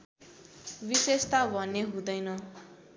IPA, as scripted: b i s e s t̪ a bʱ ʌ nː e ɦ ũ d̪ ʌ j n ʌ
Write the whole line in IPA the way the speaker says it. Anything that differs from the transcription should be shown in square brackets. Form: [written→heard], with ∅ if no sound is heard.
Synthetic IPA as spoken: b i s e s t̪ a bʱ ʌ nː e ɦ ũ d̪ ʌ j n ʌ